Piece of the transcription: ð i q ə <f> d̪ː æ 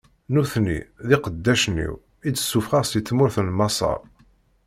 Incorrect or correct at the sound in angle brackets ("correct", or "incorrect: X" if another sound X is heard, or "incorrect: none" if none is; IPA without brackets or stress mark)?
incorrect: none